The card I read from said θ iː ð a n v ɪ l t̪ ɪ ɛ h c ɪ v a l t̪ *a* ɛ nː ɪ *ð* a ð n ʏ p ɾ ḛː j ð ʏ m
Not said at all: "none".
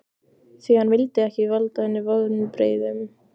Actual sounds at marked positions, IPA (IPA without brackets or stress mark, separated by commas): a, v